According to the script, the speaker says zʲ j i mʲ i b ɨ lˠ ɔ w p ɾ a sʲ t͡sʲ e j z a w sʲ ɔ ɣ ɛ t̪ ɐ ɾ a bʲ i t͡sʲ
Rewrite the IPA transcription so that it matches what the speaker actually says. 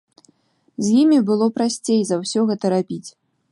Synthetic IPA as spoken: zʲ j i mʲ i b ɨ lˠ ɔ p ɾ a sʲ t͡sʲ e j z a w sʲ ɔ ɣ ɛ t̪ ɐ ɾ a bʲ i t͡sʲ